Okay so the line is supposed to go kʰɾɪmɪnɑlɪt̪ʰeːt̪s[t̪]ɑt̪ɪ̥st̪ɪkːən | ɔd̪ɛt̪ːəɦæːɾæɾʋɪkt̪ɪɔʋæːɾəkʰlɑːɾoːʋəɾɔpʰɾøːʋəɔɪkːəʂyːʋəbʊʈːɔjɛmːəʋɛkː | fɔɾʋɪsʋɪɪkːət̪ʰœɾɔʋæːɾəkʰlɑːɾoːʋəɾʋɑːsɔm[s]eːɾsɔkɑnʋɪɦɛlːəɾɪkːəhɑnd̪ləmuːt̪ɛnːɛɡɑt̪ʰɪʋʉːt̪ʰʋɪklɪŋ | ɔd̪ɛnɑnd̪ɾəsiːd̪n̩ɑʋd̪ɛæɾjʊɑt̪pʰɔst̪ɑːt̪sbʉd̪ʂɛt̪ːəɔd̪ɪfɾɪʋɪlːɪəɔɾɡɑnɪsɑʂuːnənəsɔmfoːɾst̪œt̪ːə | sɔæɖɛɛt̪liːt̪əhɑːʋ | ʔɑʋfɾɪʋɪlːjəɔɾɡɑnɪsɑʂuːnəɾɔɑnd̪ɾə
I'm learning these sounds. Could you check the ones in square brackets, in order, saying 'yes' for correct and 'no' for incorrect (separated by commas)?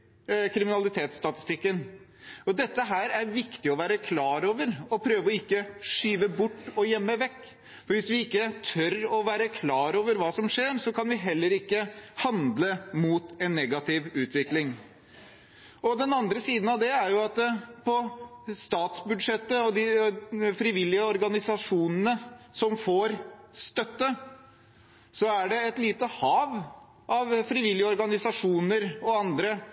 yes, no